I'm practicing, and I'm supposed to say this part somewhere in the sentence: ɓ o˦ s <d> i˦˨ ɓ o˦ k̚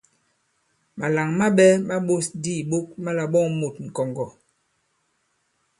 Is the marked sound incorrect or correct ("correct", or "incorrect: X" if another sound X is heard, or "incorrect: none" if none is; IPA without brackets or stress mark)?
correct